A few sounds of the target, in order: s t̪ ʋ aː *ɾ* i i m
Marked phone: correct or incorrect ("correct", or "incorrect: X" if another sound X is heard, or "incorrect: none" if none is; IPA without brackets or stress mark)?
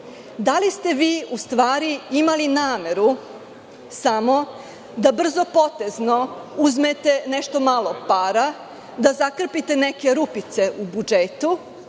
correct